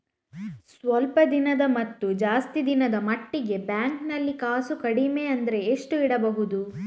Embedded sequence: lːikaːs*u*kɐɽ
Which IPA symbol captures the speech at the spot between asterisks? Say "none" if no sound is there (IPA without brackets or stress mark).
u